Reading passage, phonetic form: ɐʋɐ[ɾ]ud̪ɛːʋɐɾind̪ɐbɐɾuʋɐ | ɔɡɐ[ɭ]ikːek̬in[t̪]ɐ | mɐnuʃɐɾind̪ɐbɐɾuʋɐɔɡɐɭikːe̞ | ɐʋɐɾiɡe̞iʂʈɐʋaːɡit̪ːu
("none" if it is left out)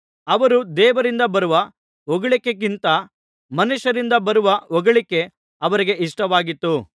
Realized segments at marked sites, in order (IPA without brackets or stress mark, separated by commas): ɾ, ɭ, t̪